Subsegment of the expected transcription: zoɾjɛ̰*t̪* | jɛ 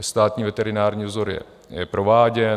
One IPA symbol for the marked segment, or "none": none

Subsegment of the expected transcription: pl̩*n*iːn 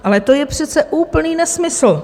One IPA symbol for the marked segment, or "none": n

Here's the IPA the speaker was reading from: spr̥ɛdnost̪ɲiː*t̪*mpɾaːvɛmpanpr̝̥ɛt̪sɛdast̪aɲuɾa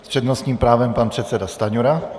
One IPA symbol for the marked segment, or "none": none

